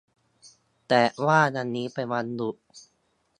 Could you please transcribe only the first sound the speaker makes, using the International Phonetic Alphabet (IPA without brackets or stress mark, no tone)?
t̪